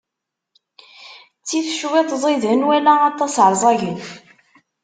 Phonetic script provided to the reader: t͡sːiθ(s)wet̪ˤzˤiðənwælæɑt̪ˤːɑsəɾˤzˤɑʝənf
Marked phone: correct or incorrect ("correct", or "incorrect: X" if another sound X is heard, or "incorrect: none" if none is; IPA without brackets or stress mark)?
incorrect: ʃ